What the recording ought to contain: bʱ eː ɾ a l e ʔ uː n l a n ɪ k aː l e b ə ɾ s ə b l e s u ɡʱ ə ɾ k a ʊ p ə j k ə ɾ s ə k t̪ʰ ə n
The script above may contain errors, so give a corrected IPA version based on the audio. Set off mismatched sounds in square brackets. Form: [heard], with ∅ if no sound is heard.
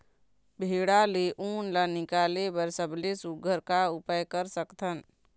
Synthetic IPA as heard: bʱ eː [ɽ] a l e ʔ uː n l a n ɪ k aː l e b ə ɾ s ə b l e s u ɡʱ ə ɾ k a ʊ p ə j k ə ɾ s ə k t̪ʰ ə n

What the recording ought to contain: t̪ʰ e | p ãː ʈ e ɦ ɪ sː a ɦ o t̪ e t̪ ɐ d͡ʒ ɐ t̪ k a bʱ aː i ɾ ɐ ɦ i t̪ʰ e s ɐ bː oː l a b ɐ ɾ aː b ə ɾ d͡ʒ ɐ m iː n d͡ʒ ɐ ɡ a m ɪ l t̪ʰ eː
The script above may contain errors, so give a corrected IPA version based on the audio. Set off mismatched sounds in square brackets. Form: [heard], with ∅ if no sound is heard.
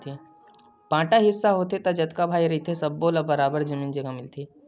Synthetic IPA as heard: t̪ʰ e | p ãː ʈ [a] ɦ ɪ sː a ɦ o t̪ e t̪ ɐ d͡ʒ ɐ t̪ k a bʱ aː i ɾ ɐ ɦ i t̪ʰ e s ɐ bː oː l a b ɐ ɾ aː b ə ɾ d͡ʒ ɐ m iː n d͡ʒ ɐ ɡ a m ɪ l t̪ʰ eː

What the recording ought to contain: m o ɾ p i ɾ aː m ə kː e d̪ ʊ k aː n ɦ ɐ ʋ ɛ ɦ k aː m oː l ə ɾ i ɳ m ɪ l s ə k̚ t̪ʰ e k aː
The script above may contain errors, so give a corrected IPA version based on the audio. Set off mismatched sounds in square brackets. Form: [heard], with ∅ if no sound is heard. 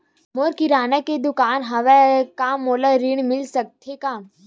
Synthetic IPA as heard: m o ɾ [k] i ɾ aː [n] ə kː e d̪ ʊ k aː n ɦ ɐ ʋ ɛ [∅] k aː m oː l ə ɾ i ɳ m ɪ l s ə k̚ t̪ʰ e k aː

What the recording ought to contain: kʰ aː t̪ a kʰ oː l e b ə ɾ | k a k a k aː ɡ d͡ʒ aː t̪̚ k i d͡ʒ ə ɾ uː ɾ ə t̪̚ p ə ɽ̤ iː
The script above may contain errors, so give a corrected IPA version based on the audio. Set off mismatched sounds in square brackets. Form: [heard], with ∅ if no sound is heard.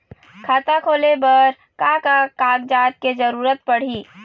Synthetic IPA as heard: kʰ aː t̪ a kʰ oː l e b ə ɾ | k a k a k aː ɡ d͡ʒ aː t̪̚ k [e] d͡ʒ ə ɾ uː ɾ ə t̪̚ p ə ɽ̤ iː

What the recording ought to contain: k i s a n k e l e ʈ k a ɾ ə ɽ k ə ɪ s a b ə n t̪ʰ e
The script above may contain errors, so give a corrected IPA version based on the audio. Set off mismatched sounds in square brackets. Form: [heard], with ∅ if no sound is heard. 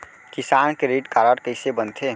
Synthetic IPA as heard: k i s a n k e [ɾ] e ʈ k a ɾ ə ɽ k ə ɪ s [e] b ə n t̪ʰ e

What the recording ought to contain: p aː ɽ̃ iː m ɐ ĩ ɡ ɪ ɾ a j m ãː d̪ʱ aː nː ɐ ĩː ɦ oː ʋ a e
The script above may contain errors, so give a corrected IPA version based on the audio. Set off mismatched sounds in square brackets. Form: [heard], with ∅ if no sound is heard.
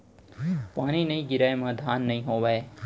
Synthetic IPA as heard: p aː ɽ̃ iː [n] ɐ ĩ ɡ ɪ ɾ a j m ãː d̪ʱ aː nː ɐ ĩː ɦ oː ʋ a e

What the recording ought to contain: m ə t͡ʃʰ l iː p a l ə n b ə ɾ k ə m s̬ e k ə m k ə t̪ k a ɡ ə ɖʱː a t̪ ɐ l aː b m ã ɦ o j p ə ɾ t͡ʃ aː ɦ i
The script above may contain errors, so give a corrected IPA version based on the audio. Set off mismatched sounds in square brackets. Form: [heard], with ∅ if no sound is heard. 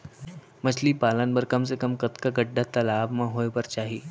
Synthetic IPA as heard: m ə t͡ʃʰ l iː p a l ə n b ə ɾ k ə m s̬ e k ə m k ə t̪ k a ɡ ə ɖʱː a t̪ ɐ l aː b m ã ɦ o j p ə ɾ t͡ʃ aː ɦ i

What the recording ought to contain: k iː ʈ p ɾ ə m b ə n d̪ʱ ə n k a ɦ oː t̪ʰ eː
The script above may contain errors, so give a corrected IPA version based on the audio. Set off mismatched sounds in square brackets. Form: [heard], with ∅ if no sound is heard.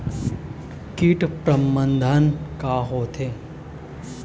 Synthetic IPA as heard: k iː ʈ p ɾ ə m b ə n d̪ʱ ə n k a ɦ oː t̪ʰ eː

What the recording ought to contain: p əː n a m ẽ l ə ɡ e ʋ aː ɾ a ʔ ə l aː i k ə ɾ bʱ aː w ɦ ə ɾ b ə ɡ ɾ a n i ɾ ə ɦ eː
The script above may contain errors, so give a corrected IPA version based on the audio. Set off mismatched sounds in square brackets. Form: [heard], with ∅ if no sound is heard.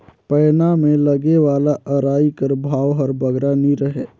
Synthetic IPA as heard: p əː n a m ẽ l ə ɡ e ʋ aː [l] a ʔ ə [ɾ] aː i k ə ɾ bʱ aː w ɦ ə ɾ b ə ɡ ɾ a n i ɾ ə ɦ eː

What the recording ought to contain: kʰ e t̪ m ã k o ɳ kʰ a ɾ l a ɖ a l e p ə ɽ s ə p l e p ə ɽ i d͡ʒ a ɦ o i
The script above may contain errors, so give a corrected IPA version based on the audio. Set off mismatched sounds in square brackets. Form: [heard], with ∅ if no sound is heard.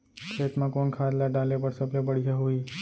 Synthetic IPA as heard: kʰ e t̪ m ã k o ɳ kʰ a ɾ l a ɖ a l e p ə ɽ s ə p l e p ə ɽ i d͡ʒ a ɦ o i

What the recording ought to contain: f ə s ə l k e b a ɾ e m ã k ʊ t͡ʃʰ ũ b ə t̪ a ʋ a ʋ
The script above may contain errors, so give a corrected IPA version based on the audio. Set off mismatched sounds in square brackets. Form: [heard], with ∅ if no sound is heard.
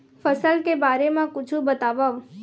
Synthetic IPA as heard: f ə s ə l k e b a ɾ e m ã k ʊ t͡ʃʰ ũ b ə t̪ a ʋ a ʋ

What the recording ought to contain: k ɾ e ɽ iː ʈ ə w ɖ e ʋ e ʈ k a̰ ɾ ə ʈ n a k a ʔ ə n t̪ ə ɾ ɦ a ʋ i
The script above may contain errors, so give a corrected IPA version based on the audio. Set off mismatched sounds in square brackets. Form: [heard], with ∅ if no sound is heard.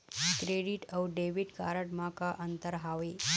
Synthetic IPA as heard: k ɾ e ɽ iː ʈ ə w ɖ e ʋ [i] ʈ k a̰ ɾ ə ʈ [m] a k a ʔ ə n t̪ ə ɾ ɦ a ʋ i

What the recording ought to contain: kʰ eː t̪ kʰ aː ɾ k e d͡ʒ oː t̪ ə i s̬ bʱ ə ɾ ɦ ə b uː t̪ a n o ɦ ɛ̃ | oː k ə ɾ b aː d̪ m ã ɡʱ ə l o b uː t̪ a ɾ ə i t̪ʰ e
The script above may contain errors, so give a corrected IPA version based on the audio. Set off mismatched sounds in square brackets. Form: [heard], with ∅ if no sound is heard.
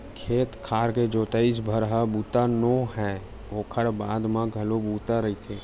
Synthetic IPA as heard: kʰ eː t̪ kʰ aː ɾ k e d͡ʒ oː t̪ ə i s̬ bʱ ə ɾ ɦ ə b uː t̪ a n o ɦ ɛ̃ | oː [kʰ] ə ɾ b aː d̪ m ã ɡʱ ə l o b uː t̪ a ɾ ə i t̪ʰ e

